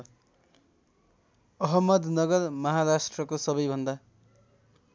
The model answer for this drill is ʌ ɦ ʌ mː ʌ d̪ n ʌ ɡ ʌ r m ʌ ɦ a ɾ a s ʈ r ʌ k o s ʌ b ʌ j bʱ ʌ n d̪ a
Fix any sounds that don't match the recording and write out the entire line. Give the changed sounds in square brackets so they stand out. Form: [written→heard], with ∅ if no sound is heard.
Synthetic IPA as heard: ʌ ɦ ʌ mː ʌ d̪ n ʌ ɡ ʌ r m ʌ ɦ a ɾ a s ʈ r ʌ k o s ʌ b ʌ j bʱ ʌ n d̪ a